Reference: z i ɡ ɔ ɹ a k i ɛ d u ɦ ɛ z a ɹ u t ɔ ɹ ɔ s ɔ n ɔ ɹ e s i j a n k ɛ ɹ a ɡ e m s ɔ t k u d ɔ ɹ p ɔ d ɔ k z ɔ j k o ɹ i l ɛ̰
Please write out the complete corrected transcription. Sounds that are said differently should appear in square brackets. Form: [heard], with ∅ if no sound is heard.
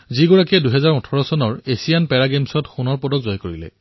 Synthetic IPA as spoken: z i ɡ ɔ ɹ a k i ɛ d u ɦ ɛ z a ɹ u [tʰ] ɔ ɹ ɔ s ɔ n ɔ ɹ e s i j a n [p] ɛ ɹ a ɡ e m s ɔ t [x] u [n] ɔ ɹ p ɔ d ɔ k z ɔ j k o ɹ i l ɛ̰

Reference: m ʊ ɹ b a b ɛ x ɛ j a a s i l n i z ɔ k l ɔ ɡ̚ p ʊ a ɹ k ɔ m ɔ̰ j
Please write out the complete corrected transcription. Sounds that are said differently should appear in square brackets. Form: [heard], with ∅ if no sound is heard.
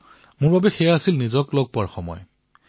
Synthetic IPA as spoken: m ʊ ɹ b a b ɛ x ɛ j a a s i l n i z ɔ k l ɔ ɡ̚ p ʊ a ɹ [x] ɔ m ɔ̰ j

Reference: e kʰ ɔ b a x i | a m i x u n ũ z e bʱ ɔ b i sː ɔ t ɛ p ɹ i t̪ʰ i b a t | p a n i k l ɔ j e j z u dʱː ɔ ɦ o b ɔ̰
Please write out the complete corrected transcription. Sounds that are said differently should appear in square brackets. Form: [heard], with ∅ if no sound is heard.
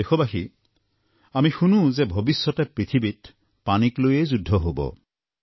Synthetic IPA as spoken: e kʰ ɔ b a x i | a m i x u n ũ z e bʱ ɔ b i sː ɔ t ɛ p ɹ i t̪ʰ i b [i] t | p a n i k l [o] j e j z u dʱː ɔ ɦ o b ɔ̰

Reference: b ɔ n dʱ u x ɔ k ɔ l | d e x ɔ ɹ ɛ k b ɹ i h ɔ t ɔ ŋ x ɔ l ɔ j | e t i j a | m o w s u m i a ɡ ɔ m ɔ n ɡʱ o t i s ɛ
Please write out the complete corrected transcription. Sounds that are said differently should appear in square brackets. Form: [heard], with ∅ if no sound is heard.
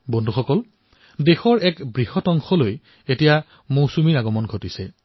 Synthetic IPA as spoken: b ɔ n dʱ u x ɔ k ɔ l | d e x ɔ ɹ ɛ k b ɹ i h ɔ t ɔ ŋ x ɔ l [o] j | e t i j a | m o w s u m i a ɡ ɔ m ɔ n ɡʱ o t i s ɛ

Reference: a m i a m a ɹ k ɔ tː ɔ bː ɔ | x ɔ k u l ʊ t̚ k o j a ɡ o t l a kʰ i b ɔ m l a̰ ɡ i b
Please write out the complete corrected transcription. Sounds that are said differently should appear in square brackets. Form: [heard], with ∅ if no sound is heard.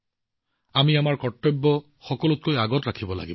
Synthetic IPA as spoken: a m i a m a ɹ k ɔ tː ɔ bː ɔ | x ɔ k [ɔ] l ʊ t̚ k o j a ɡ [ɔ] t [ɹ] a kʰ i b ɔ [∅] l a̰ ɡ i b

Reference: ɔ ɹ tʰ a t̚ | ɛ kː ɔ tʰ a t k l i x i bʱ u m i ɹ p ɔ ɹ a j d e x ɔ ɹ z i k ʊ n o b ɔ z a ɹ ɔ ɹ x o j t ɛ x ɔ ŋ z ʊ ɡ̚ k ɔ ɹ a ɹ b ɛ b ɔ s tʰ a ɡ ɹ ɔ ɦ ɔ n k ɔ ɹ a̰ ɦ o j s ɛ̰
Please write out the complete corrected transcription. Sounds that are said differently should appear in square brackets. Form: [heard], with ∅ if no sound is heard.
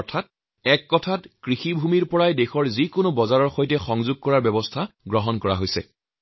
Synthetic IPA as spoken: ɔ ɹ tʰ a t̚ | ɛ kː ɔ tʰ a t k [ɹ] i x i bʱ u m i ɹ p ɔ ɹ a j d e x ɔ ɹ z i k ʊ n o b ɔ z a ɹ ɔ ɹ x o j t ɛ x ɔ ŋ z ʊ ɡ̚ k ɔ ɹ a ɹ b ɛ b ɔ s tʰ a ɡ ɹ ɔ ɦ ɔ n k ɔ ɹ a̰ ɦ o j s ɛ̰

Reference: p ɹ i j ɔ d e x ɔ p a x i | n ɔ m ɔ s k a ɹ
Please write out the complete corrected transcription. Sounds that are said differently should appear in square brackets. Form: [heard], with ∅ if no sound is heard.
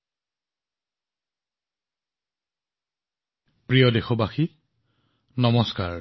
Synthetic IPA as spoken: p ɹ i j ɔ d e x ɔ [b] a x i | n ɔ m ɔ s k a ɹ

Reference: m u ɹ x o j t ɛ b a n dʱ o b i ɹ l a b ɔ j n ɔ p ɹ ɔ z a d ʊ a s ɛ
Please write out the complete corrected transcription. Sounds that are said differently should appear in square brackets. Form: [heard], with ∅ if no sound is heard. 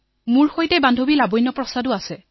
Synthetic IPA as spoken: m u ɹ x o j t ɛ b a n dʱ o b i [∅] l a b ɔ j n ɔ p ɹ ɔ [s] a d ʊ a s ɛ

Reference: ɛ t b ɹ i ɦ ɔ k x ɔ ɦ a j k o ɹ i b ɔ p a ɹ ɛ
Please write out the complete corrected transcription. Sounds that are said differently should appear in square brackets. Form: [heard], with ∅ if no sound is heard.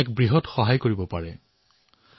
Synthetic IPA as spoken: ɛ [k] b ɹ i ɦ ɔ [t] x ɔ ɦ a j k o ɹ i b ɔ p a ɹ ɛ

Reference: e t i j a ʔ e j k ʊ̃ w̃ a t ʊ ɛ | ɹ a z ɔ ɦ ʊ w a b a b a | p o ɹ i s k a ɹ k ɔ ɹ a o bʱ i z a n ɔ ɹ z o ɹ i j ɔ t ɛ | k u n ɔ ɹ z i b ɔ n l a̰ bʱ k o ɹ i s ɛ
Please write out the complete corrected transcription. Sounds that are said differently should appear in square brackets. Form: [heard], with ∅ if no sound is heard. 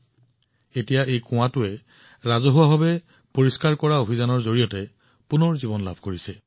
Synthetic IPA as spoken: e t i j a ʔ e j k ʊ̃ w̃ a t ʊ ɛ | ɹ a z ɔ ɦ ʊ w a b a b [ɛ] | p o ɹ i s k a ɹ k ɔ ɹ a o bʱ i z a n ɔ ɹ z o ɹ i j ɔ t ɛ | [p] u n ɔ ɹ z i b ɔ n l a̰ bʱ k o ɹ i s ɛ

